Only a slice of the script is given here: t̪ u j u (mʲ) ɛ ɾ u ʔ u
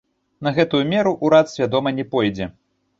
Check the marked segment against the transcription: correct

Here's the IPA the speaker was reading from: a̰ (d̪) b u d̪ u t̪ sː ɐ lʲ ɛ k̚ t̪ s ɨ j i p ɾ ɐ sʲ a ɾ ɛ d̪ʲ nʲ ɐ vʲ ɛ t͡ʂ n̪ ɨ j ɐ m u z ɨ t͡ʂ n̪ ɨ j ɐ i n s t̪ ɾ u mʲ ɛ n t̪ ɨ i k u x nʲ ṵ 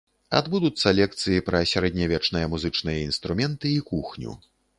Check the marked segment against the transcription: correct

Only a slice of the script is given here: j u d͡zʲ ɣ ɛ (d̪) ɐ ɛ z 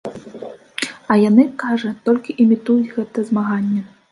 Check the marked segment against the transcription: incorrect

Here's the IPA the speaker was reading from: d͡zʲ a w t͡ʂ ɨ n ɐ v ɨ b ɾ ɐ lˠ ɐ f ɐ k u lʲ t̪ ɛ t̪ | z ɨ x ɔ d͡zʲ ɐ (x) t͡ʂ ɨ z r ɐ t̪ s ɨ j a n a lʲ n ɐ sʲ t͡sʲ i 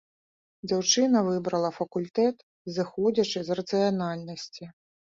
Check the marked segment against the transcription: incorrect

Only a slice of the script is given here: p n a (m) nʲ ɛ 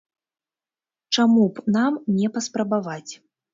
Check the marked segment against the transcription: correct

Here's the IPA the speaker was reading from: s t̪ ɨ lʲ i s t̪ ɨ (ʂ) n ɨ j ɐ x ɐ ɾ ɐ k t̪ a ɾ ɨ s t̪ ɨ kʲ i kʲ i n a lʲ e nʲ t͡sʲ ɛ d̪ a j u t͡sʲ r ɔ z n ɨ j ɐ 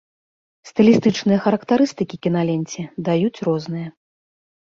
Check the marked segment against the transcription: incorrect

